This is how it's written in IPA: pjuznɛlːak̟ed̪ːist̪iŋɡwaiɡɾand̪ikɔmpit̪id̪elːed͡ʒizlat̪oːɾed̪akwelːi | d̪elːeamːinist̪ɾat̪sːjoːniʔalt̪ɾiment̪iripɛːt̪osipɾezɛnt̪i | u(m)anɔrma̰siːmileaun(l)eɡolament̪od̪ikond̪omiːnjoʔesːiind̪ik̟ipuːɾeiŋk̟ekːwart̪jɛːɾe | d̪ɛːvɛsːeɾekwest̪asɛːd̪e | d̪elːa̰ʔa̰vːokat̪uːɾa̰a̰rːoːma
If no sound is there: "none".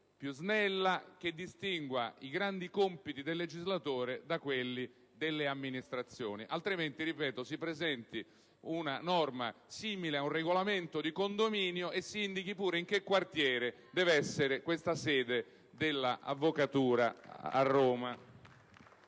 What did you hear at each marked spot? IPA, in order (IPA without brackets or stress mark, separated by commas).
n, r